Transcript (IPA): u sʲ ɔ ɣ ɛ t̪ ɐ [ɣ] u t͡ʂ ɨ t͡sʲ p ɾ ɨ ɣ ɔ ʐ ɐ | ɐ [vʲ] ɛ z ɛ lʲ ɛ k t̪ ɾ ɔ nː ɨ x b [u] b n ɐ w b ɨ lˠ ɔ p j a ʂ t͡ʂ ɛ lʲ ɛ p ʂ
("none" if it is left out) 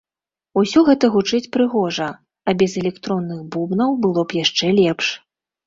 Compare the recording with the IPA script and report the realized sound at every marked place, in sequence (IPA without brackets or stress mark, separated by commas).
ɣ, bʲ, u